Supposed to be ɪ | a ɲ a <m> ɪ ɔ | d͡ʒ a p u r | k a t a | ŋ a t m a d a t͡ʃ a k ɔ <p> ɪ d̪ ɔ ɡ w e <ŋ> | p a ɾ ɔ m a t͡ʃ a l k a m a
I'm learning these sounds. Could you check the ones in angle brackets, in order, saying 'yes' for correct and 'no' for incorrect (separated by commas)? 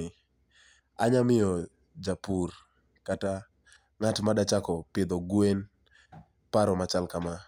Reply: yes, yes, no